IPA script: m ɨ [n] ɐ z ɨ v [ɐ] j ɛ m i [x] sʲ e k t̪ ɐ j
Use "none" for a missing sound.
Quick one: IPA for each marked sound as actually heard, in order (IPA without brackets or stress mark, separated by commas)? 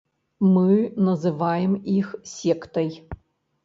n, a, x